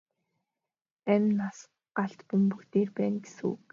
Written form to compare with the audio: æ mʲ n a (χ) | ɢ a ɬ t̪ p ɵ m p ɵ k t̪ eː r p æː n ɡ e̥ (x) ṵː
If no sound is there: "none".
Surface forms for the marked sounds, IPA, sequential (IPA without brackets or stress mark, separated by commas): s, s